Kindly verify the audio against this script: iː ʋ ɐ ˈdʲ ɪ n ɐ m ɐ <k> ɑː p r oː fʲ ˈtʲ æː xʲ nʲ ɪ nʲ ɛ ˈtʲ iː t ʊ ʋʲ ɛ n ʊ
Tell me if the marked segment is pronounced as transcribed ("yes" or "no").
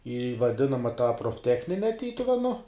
no